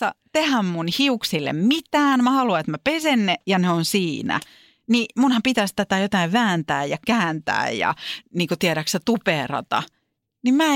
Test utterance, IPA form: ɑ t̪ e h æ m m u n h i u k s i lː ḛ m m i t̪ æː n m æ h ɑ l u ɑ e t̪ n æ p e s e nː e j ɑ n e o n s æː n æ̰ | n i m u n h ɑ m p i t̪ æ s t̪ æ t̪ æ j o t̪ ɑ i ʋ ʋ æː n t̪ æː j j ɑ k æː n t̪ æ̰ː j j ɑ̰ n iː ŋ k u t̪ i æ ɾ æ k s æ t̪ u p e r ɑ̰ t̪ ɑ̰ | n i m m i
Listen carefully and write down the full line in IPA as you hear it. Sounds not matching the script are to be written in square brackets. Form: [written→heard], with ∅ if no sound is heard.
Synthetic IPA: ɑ t̪ e h æ m m u n h i u k s i lː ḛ m m i t̪ æː n m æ h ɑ l u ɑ e t̪ [n→m] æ p e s e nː e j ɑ n e o n s [æː→iː] n æ̰ | n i m u n h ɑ m p i t̪ æ s t̪ æ t̪ æ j o t̪ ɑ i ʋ ʋ æː n t̪ æː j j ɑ k æː n t̪ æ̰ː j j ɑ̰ n iː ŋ k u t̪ i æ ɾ æ k s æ t̪ u p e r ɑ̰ t̪ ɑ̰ | n i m m [i→æ]